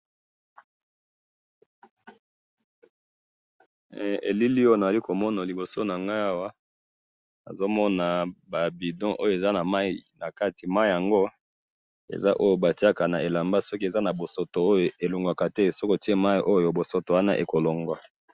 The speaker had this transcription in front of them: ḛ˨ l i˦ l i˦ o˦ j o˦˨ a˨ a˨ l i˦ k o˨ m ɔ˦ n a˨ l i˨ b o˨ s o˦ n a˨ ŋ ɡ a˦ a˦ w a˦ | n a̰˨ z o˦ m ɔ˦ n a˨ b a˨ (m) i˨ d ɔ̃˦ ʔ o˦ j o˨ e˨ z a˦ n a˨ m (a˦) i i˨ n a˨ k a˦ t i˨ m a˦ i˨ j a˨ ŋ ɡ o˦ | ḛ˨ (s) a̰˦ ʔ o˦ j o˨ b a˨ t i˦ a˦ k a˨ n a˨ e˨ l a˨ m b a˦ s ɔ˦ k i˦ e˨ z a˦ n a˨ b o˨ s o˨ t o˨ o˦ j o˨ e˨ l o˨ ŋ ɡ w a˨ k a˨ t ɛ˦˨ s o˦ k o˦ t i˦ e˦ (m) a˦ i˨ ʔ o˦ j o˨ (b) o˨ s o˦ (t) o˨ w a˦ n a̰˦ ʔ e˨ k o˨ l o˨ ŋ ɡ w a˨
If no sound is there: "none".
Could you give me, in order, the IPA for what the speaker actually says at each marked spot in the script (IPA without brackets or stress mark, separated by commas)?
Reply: b, a˦, z, m, b, t